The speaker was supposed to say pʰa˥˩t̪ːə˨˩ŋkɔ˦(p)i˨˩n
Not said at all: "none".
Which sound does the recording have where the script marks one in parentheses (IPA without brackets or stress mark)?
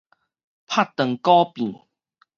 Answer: p